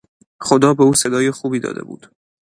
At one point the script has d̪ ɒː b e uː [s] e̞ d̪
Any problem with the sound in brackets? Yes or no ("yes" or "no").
no